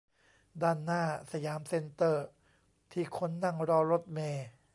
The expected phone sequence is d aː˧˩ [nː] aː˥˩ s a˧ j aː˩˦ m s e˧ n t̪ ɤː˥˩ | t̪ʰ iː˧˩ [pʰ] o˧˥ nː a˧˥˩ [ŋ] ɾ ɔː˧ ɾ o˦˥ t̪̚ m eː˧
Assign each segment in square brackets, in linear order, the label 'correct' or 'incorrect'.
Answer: correct, incorrect: kʰ, correct

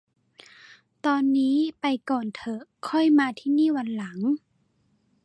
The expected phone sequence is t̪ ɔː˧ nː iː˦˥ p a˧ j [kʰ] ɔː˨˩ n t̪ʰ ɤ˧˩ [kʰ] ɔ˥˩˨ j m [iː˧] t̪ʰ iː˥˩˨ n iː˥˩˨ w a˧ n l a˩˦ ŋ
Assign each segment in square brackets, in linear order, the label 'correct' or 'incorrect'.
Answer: incorrect: k, correct, incorrect: aː˧

